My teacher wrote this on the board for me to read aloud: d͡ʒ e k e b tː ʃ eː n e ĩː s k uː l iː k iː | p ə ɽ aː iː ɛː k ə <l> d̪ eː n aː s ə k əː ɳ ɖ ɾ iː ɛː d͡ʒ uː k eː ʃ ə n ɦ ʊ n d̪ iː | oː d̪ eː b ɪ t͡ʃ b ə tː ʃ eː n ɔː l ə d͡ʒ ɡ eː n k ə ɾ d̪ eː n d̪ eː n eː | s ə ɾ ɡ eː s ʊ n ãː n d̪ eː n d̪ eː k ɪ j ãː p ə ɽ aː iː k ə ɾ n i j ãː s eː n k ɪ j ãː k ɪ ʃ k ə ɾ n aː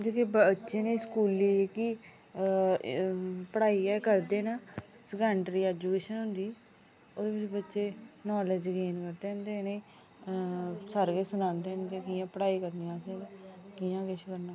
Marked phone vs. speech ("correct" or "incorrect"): incorrect